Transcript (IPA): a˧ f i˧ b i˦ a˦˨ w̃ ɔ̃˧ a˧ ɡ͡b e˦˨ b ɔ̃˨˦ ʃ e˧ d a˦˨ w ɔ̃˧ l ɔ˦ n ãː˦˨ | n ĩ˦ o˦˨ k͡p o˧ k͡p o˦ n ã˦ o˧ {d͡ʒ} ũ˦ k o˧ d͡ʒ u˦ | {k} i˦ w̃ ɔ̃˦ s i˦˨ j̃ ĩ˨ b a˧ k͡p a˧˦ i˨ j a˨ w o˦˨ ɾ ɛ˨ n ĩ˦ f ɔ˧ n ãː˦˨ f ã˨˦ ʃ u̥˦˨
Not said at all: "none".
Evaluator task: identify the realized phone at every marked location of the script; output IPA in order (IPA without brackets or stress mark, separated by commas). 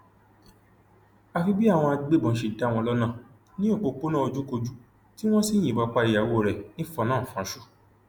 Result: d͡ʒ, t